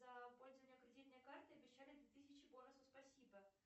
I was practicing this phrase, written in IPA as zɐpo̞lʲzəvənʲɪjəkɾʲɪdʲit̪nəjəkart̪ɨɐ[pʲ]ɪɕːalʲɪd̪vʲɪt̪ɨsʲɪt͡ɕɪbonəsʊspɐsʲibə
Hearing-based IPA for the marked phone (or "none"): bʲ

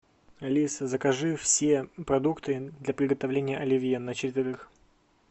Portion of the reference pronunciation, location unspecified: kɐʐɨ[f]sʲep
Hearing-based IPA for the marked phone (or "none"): f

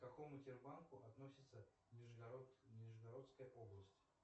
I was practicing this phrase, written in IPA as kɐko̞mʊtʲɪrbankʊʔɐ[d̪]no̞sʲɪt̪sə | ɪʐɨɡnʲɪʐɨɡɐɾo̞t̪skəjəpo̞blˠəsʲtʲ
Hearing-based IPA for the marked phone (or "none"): t̪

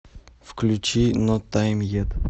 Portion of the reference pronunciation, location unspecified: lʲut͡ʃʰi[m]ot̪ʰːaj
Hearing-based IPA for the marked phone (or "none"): n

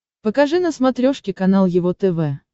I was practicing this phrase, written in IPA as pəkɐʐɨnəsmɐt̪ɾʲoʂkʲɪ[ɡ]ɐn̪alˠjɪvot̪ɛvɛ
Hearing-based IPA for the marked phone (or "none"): k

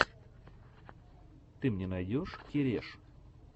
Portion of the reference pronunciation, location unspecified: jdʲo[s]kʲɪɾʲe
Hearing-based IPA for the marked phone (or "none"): ʂ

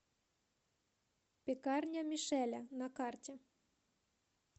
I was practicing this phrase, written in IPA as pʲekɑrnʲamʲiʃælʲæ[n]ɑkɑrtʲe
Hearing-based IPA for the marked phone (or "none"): n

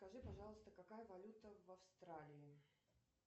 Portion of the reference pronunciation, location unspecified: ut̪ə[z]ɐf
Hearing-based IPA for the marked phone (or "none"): v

